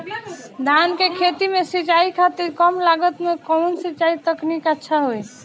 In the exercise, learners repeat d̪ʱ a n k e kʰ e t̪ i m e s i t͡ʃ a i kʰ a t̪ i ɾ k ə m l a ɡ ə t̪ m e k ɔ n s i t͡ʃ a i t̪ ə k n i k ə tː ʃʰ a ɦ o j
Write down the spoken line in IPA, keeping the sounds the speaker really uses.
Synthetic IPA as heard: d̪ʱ a n k e kʰ e t̪ i m e s i t͡ʃ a i kʰ a t̪ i ɾ k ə m l a ɡ ə t̪ m e k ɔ n s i t͡ʃ a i t̪ ə k n i k ə tː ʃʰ a ɦ o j